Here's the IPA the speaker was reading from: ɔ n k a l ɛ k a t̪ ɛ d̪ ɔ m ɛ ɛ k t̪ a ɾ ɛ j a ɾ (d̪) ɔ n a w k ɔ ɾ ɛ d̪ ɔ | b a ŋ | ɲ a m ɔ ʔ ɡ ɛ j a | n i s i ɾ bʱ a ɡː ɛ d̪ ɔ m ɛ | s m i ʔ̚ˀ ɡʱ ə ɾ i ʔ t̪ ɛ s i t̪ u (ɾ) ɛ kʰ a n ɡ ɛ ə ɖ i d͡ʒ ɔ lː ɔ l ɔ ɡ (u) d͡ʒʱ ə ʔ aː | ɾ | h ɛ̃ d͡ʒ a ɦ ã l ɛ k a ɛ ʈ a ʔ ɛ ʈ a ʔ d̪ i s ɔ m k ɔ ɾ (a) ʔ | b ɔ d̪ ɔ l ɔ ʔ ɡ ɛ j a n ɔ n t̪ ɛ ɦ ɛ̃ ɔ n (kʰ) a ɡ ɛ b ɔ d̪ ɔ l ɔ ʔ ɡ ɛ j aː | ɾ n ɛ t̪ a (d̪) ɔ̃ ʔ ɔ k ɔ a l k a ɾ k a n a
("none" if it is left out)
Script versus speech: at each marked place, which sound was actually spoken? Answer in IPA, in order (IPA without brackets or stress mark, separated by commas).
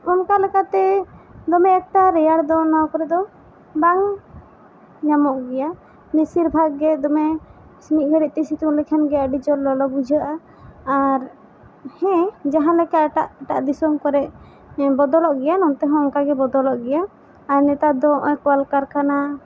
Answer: d̪, l, u, ɛ, k, d̪